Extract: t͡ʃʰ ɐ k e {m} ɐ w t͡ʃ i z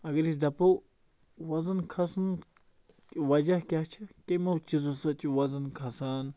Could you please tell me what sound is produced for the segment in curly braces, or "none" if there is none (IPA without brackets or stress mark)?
m